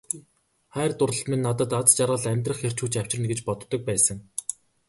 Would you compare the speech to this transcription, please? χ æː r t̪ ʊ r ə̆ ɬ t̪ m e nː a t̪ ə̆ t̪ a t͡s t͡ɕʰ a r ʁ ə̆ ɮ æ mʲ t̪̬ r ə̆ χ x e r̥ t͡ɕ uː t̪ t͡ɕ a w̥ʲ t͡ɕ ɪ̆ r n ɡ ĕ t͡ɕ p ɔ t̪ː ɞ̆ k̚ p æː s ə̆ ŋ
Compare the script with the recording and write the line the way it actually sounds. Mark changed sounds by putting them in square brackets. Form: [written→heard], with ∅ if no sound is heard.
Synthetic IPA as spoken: χ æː r t̪ ʊ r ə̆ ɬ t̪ m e nː a t̪ ə̆ t̪ a t͡s [t͡ɕʰ→t͡ɕ] a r ʁ ə̆ ɮ æ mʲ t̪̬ r ə̆ χ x e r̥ t͡ɕ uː [t̪→∅] t͡ɕ a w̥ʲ t͡ɕ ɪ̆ r n ɡ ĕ t͡ɕ p ɔ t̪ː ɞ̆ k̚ p æː s ə̆ ŋ

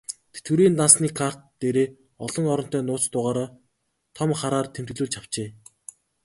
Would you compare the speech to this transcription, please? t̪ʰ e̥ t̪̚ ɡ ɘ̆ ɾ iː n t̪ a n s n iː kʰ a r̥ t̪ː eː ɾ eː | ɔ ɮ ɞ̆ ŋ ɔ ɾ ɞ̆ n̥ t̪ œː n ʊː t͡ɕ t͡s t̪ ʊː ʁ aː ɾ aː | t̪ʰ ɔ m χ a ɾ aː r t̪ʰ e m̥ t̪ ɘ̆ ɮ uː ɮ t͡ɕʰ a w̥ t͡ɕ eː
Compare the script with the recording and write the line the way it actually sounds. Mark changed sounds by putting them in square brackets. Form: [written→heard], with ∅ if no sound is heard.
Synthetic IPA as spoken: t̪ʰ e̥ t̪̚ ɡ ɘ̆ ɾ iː n t̪ a n s n iː kʰ a r̥ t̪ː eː ɾ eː | ɔ ɮ ɞ̆ ŋ ɔ ɾ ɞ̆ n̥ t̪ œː n ʊː [t͡ɕ→∅] t͡s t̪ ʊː ʁ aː ɾ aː | t̪ʰ ɔ m χ a ɾ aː r t̪ʰ e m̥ t̪ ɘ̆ ɮ uː ɮ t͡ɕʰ a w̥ t͡ɕ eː

